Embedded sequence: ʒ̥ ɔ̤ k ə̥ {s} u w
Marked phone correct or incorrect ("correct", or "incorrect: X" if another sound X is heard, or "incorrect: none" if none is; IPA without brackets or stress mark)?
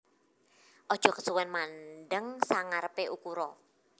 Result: correct